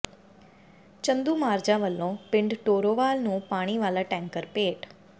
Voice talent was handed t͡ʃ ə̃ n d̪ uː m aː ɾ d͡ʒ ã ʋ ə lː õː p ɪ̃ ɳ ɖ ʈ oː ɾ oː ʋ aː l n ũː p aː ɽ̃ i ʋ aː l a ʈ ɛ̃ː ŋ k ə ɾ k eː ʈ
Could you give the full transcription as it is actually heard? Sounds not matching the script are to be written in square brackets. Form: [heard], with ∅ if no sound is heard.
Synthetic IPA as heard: t͡ʃ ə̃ n d̪ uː m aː ɾ d͡ʒ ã ʋ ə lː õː p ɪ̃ ɳ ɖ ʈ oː ɾ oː ʋ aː l n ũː p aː ɽ̃ i ʋ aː l a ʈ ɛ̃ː ŋ k ə ɾ [p] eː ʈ